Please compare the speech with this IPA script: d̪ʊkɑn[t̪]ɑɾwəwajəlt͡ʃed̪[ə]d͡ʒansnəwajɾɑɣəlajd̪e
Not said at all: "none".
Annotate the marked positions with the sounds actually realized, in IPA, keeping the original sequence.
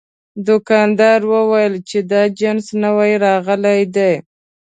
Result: d̪, ɑ

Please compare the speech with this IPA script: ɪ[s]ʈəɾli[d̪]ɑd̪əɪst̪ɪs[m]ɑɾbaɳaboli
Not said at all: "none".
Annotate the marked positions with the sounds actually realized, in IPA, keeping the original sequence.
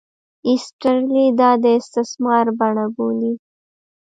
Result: s, d̪, m

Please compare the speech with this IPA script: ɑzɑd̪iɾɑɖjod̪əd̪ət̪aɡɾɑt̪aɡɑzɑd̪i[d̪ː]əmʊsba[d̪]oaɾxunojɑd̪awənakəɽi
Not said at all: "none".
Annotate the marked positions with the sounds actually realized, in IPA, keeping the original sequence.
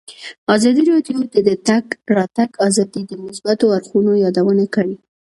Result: d̪, t̪

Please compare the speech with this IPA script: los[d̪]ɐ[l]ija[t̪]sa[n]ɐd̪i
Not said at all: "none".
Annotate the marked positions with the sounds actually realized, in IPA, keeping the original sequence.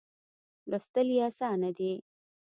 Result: t̪, l, none, n

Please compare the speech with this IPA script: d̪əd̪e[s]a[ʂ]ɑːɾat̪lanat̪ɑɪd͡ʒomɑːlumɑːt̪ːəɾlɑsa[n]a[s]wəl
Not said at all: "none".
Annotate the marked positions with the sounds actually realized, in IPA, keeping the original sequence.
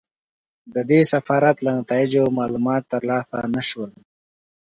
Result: s, f, n, ʃ

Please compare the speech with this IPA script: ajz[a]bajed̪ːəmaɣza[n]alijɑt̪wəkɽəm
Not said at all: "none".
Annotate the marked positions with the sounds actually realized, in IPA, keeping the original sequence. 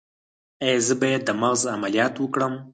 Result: ə, m

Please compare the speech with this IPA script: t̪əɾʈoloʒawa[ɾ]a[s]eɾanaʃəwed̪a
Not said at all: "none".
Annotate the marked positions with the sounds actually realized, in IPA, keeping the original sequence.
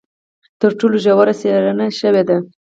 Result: ɾ, s

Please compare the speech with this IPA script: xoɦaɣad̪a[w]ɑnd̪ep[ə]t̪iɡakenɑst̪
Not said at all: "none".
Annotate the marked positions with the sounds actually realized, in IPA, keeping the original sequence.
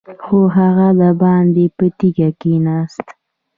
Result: b, ə

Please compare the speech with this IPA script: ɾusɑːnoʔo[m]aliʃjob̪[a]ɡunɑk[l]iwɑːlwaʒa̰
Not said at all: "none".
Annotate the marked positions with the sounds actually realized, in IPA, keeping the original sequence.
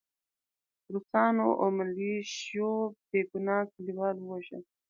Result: m, e, l

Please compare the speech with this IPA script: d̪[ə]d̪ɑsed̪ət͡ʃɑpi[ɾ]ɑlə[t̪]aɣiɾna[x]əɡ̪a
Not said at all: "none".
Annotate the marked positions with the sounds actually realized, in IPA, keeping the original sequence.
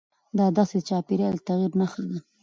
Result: ɑ, ɾ, t̪, x

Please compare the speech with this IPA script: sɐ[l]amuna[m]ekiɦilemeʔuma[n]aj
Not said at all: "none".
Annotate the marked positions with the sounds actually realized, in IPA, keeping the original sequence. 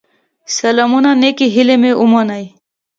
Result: l, n, n

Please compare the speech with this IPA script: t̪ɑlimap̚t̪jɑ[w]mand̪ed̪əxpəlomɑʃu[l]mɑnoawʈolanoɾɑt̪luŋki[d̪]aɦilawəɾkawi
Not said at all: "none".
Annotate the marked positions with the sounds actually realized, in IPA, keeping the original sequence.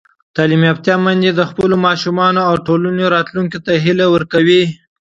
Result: none, none, t̪

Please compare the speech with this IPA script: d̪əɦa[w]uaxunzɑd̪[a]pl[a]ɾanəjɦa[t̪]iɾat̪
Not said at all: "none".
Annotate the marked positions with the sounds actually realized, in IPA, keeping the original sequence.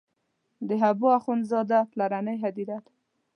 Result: b, a, a, d̪

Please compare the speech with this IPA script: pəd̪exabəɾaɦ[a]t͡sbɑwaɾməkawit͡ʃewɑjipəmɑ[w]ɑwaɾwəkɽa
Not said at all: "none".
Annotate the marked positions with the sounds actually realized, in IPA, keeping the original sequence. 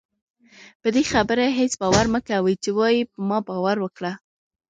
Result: e, b

